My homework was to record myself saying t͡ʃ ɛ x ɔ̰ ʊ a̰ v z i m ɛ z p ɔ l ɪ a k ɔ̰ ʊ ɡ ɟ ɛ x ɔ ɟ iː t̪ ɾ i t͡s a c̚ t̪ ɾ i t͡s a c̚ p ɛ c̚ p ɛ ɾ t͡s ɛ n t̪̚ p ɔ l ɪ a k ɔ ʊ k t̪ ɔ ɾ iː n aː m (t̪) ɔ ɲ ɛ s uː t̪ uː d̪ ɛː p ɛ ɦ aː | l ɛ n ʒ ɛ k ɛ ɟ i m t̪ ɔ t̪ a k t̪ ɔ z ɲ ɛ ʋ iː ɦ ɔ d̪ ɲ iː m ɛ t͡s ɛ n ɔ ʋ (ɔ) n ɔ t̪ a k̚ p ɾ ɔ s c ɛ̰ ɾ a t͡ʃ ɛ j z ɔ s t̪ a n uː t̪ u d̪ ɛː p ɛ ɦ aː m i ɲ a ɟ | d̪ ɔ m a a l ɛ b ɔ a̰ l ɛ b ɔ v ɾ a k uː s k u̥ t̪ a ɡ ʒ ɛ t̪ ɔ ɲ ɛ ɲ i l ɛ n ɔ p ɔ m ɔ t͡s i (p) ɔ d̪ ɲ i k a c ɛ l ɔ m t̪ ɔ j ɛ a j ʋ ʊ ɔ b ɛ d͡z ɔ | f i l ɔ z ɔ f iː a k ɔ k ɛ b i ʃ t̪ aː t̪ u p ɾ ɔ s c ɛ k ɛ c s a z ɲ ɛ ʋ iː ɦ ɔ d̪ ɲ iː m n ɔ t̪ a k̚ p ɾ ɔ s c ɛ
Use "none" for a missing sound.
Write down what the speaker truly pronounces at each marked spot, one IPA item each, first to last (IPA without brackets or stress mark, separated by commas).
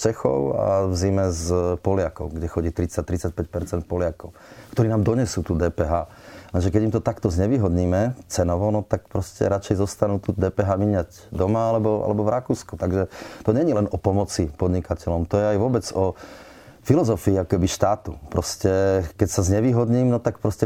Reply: d̪, ɔ, p